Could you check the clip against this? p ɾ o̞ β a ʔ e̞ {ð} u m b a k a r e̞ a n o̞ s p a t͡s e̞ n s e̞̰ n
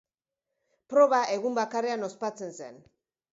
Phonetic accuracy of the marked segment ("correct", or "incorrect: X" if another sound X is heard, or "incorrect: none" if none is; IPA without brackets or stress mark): incorrect: ɣ